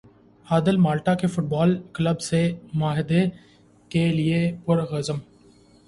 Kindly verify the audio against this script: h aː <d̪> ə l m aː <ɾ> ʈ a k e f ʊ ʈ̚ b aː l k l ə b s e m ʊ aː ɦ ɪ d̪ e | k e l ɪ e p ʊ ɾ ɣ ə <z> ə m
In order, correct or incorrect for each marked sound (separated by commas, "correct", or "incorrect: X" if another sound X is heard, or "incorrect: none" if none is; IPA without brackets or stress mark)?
correct, incorrect: l, correct